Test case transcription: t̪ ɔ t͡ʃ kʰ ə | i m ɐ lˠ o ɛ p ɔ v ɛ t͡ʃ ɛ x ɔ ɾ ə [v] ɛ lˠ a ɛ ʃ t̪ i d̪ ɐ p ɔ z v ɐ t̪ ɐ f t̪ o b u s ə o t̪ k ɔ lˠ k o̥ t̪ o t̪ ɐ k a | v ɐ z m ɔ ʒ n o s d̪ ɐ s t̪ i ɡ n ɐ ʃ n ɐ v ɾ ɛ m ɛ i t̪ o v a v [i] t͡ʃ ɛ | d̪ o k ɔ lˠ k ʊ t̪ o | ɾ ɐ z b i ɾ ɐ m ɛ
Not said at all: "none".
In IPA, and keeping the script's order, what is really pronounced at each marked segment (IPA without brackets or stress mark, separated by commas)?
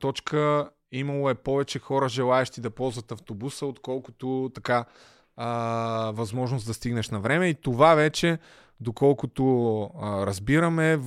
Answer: ʒ, ɛ